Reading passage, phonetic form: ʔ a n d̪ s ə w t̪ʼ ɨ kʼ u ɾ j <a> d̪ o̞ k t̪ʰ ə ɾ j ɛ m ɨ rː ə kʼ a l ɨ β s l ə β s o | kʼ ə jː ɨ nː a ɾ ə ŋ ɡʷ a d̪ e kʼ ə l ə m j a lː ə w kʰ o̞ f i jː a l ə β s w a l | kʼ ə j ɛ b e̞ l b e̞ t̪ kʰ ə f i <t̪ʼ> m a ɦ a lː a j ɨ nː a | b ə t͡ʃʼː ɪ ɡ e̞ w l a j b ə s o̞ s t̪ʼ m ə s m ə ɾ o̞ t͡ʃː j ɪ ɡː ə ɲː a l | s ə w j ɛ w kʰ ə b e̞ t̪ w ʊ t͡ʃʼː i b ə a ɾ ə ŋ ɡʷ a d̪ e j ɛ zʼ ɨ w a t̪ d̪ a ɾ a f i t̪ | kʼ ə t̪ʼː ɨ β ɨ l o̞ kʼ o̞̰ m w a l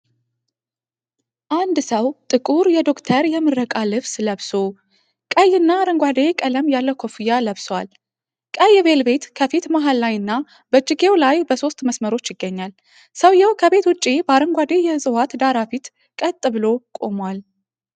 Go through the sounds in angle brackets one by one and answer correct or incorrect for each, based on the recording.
incorrect, incorrect

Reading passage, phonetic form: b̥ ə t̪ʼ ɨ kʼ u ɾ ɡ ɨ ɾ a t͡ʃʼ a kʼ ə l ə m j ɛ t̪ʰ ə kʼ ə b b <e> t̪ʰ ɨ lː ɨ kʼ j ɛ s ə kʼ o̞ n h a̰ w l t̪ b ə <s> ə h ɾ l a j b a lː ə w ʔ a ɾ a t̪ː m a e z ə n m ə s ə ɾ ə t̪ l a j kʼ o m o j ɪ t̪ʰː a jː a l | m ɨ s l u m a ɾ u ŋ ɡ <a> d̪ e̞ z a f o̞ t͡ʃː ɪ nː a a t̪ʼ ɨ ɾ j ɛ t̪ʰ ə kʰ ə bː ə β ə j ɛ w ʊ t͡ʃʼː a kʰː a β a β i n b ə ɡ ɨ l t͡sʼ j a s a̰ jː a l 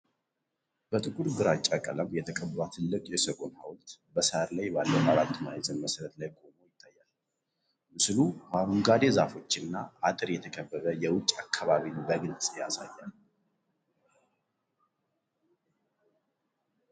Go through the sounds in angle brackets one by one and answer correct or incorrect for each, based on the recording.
incorrect, correct, correct

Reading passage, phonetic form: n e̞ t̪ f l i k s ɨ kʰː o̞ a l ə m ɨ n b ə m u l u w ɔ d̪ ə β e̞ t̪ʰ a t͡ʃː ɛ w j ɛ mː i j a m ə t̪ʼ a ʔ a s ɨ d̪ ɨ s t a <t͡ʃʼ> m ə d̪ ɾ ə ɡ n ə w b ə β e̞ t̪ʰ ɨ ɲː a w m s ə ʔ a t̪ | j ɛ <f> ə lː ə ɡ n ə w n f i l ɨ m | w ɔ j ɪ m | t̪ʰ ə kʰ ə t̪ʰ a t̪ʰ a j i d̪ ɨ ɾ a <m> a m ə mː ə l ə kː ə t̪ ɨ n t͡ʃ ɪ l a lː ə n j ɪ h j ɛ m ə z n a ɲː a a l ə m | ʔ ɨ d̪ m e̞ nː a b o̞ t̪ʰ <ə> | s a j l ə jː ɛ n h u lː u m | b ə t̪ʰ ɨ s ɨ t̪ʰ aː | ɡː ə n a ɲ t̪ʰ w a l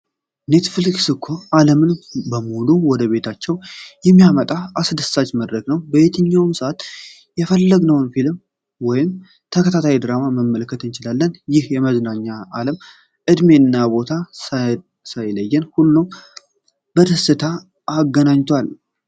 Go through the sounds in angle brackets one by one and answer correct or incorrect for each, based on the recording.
incorrect, correct, correct, incorrect

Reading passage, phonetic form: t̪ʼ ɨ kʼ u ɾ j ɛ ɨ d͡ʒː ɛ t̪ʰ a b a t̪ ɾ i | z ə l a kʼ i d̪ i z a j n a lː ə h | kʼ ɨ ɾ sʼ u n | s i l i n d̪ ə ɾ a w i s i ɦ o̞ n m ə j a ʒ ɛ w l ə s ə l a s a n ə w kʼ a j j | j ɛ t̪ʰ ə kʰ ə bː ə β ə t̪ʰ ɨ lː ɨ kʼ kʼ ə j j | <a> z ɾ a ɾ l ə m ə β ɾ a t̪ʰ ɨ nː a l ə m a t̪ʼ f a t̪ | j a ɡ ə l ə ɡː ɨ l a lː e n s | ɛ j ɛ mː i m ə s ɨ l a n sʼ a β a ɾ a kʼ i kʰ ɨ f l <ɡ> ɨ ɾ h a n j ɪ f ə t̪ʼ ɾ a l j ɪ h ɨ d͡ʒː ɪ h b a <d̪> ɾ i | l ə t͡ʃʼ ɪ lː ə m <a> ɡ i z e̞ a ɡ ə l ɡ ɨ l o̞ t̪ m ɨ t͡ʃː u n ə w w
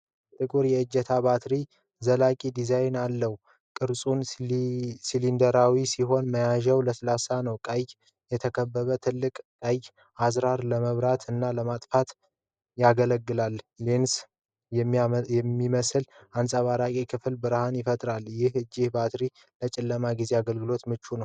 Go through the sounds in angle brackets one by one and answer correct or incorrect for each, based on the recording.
correct, incorrect, incorrect, correct

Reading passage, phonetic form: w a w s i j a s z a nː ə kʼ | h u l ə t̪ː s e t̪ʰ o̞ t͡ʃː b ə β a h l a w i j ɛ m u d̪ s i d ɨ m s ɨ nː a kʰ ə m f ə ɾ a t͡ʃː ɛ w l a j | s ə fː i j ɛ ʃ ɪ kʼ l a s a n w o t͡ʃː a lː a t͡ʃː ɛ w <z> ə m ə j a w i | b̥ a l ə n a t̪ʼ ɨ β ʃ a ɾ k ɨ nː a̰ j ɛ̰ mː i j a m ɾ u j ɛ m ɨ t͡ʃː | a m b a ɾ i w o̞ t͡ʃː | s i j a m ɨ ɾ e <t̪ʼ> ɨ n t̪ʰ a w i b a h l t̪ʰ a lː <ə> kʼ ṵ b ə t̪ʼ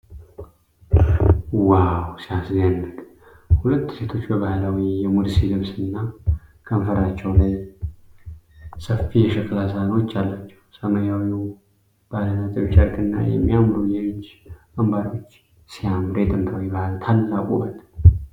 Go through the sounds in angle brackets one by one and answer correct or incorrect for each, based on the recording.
incorrect, correct, incorrect

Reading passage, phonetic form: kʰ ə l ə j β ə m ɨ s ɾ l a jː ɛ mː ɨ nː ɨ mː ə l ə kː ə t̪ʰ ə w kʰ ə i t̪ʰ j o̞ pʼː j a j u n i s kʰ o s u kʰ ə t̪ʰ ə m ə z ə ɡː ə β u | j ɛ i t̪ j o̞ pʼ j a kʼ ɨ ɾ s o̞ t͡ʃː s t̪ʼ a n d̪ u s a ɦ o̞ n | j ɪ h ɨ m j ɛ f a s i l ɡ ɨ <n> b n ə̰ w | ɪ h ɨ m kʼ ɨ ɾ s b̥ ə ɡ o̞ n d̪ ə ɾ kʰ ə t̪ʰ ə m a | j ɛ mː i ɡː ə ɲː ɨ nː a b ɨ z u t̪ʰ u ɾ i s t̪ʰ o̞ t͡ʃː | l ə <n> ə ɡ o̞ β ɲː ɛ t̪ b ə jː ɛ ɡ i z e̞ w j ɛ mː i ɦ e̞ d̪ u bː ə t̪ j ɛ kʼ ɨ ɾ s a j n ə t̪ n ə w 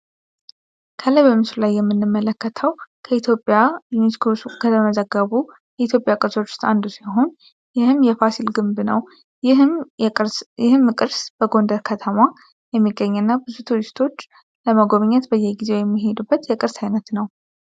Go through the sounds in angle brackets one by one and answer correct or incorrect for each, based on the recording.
incorrect, incorrect

